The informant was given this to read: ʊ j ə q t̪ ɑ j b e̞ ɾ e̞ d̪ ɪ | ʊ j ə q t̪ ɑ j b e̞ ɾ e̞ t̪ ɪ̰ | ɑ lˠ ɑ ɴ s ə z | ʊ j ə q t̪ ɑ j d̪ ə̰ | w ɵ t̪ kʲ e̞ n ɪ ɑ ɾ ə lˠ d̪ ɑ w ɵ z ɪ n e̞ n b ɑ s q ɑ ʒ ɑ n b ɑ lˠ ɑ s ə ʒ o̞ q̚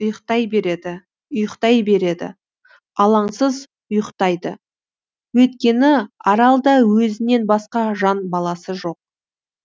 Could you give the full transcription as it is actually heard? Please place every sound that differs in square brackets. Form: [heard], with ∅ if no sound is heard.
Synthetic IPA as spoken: ʊ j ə q t̪ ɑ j b e̞ ɾ e̞ d̪ ɪ | ʊ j ə q t̪ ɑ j b e̞ ɾ e̞ [d̪] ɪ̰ | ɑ lˠ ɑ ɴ s ə z | ʊ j ə q t̪ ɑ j d̪ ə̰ | w ɵ t̪ kʲ e̞ n ɪ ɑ ɾ [ɑ] lˠ d̪ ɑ w ɵ z ɪ n e̞ n b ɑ s q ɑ ʒ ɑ n b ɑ lˠ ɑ s ə ʒ o̞ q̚

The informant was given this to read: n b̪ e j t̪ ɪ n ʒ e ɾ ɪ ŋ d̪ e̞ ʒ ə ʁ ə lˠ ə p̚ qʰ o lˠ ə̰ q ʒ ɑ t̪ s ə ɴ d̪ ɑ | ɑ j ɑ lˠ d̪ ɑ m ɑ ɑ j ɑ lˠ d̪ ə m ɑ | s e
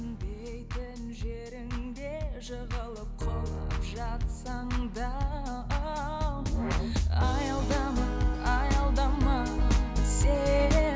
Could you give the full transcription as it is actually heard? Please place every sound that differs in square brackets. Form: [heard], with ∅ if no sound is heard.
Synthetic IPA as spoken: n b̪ e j t̪ ɪ n ʒ e ɾ ɪ ŋ d̪ e̞ ʒ ə ʁ ə lˠ ə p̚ qʰ o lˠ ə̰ [p] ʒ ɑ t̪ s [ɑ] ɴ d̪ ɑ | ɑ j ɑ lˠ d̪ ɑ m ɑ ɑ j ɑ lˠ d̪ [ɑ] m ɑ | s e

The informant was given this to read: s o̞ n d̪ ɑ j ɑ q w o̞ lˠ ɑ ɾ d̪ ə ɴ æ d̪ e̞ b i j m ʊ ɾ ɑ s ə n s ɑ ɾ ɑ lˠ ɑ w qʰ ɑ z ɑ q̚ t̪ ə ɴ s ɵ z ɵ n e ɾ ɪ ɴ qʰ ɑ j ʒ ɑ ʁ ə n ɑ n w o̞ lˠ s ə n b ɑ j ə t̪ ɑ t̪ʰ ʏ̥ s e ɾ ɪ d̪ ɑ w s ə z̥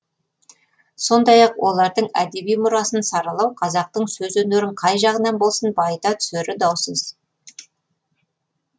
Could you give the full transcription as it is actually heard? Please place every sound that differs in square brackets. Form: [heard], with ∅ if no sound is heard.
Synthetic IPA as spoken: s o̞ n d̪ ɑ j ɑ q w o̞ lˠ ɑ ɾ d̪ ə ɴ æ d̪ e̞ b i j m ʊ ɾ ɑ s ə n s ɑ ɾ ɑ lˠ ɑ w qʰ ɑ z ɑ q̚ t̪ ə ɴ s ɵ z ɵ n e ɾ ɪ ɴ qʰ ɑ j ʒ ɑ ʁ ə n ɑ n [b] o̞ lˠ s ə n b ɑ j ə t̪ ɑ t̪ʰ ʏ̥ s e ɾ ɪ d̪ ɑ w s ə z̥

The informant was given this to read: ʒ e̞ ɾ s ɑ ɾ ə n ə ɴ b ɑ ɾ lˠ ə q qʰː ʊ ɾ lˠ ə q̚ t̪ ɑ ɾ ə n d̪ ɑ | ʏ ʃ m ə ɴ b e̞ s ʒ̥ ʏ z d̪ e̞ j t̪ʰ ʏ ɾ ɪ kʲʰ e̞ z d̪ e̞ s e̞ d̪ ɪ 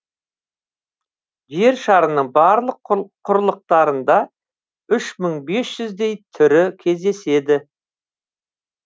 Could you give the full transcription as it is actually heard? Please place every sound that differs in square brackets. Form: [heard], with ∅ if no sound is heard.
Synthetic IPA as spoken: ʒ e̞ ɾ [ʃ] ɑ ɾ ə n ə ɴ b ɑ ɾ lˠ ə q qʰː ʊ ɾ lˠ ə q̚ t̪ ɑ ɾ ə n d̪ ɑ | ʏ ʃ m ə ɴ b e̞ s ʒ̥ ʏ z d̪ e̞ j t̪ʰ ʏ ɾ ɪ kʲʰ e̞ z d̪ e̞ s e̞ d̪ ɪ

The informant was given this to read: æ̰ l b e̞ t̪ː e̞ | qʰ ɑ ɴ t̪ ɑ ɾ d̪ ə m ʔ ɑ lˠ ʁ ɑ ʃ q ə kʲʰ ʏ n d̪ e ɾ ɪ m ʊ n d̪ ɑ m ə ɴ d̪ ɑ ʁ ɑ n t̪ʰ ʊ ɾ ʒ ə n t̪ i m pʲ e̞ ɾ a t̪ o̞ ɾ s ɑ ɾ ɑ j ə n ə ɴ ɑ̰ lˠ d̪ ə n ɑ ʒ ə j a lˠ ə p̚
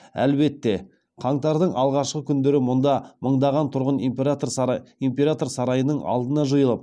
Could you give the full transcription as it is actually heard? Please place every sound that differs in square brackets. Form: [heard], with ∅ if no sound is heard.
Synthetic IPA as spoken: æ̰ l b e̞ t̪ː e̞ | qʰ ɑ ɴ t̪ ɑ ɾ d̪ ə [ɴ] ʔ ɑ lˠ ʁ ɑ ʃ q ə kʲʰ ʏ n d̪ e ɾ ɪ m ʊ n d̪ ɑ m ə ɴ d̪ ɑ ʁ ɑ n t̪ʰ ʊ ɾ [ʁ] ə n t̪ i m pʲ e̞ ɾ a t̪ o̞ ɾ s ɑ ɾ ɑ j ə n ə ɴ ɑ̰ lˠ d̪ ə n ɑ ʒ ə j [ə] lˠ ə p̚

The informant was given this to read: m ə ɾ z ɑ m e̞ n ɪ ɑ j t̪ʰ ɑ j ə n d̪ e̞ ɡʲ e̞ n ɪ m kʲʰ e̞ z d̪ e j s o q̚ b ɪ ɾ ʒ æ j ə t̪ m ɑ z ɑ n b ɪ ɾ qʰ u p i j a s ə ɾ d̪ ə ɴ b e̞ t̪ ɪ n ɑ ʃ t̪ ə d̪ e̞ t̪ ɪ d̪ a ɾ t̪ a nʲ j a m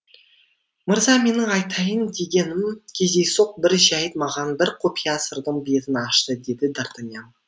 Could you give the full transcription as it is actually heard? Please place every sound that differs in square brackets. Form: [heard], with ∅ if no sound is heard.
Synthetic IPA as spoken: m ə ɾ z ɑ m e̞ n ɪ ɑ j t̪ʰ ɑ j ə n d̪ e̞ ɡʲ e̞ n ɪ m kʲʰ e̞ z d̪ e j s o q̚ b ɪ ɾ ʒ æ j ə t̪ m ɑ [ʁ] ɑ n b ɪ ɾ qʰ [o] p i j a s ə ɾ d̪ ə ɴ b e̞ t̪ ɪ n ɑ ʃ t̪ ə d̪ e̞ [d̪] ɪ d̪ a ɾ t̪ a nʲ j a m

